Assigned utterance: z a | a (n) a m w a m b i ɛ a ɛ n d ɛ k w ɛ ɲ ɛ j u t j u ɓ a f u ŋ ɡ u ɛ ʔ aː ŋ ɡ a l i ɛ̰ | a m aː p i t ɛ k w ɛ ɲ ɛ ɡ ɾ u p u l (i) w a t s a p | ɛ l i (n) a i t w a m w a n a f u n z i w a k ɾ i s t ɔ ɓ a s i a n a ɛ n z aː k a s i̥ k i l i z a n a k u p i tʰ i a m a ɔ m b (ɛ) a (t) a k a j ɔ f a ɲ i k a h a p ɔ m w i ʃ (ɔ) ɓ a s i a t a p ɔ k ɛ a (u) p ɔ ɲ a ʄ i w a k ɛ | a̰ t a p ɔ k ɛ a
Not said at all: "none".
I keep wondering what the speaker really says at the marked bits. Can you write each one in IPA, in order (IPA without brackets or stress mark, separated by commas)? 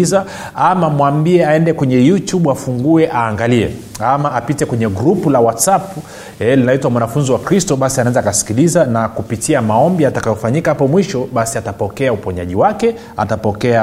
m, a, n, i, t, ɔ, u